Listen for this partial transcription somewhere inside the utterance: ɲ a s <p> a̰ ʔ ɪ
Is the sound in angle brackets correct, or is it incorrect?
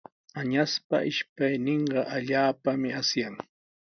correct